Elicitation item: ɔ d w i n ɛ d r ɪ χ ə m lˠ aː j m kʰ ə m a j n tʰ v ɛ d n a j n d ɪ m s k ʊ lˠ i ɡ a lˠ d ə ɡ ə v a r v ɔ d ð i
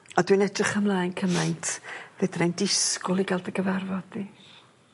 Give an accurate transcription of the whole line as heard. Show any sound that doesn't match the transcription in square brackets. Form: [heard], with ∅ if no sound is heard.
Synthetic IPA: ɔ d w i n ɛ d r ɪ χ ə m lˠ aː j [n] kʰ ə m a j n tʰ v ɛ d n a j n d ɪ [∅] s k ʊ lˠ i ɡ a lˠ d ə ɡ ə v a r v ɔ d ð i